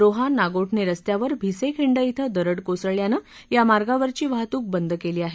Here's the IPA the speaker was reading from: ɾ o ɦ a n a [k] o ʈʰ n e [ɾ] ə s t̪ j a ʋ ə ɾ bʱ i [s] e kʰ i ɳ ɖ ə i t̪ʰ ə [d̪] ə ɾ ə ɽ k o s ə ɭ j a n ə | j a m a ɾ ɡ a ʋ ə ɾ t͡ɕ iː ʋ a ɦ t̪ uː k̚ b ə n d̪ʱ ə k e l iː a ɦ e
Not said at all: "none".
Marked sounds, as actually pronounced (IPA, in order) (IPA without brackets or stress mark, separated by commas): ɡ, ɾ, s, d̪